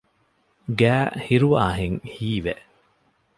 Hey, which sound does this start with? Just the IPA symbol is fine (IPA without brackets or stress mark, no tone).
ɡ